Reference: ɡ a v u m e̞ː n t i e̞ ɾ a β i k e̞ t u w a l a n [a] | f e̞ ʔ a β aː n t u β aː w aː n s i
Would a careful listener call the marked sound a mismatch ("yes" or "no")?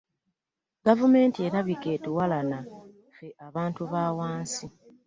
no